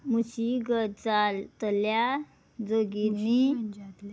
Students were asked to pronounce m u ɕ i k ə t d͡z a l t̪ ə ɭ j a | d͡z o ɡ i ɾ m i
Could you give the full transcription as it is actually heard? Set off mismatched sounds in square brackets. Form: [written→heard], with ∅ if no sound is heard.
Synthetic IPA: m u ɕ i [k→ɡ] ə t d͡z a l t̪ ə [ɭ→l] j a | d͡z o ɡ i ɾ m i